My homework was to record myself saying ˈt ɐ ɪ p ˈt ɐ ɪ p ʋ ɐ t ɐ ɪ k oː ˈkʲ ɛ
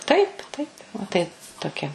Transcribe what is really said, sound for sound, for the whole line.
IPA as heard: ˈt ɐ ɪ p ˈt ɐ ɪ p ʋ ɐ t ɐ ɪ t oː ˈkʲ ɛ